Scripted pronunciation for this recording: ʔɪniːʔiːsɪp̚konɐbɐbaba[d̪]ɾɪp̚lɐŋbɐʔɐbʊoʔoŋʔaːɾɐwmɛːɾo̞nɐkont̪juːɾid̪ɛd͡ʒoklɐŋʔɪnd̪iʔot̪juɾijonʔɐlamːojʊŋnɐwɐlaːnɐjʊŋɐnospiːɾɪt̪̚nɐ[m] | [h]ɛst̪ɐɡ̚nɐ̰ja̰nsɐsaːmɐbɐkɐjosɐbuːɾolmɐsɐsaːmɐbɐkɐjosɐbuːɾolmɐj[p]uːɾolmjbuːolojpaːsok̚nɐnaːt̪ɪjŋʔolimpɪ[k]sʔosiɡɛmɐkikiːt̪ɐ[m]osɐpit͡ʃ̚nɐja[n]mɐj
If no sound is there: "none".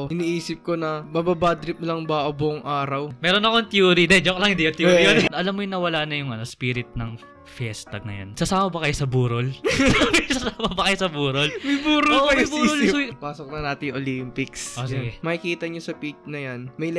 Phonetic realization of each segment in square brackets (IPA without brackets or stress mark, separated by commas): d̪, ŋ, f, b, k, ɲ, n